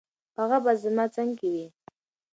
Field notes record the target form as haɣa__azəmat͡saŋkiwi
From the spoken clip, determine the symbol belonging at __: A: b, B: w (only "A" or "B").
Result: A